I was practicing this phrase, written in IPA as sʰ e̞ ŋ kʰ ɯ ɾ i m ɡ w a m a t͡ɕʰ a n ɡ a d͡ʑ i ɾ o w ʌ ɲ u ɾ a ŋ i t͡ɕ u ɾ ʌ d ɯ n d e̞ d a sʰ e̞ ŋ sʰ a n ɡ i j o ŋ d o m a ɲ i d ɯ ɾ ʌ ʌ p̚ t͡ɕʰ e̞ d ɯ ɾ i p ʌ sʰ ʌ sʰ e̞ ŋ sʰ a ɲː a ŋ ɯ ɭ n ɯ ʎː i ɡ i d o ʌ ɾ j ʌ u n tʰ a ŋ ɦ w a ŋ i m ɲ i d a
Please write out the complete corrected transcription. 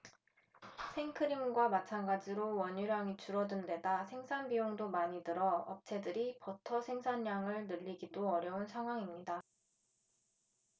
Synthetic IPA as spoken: sʰ e̞ ŋ kʰ ɯ ɾ i m ɡ w a m a t͡ɕʰ a n ɡ a d͡ʑ i ɾ o w ʌ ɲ u ɾ a ŋ i t͡ɕ u ɾ ʌ d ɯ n d e̞ d a sʰ e̞ ŋ sʰ a n b i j o ŋ d o m a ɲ i d ɯ ɾ ʌ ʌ p̚ t͡ɕʰ e̞ d ɯ ɾ i p ʌ tʰ ʌ sʰ e̞ ŋ sʰ a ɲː a ŋ ɯ ɭ n ɯ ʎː i ɡ i d o ʌ ɾ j ʌ u n sʰ a ŋ ɦ w a ŋ i m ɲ i d a